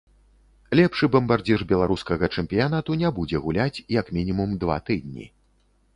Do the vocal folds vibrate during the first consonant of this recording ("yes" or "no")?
yes